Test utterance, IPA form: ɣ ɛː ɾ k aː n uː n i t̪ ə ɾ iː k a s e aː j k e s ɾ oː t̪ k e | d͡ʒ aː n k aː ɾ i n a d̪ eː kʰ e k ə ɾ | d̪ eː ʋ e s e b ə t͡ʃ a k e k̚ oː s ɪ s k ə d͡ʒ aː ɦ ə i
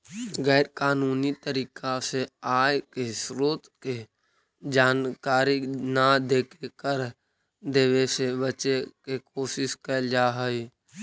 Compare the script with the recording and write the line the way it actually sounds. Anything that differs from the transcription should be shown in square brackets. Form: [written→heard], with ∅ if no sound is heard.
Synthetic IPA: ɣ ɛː ɾ k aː n uː n i t̪ ə ɾ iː k a s e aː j k e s ɾ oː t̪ k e | d͡ʒ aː n k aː ɾ i n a d̪ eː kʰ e k ə ɾ | d̪ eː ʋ e s e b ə t͡ʃ [a→e] k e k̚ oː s ɪ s k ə d͡ʒ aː ɦ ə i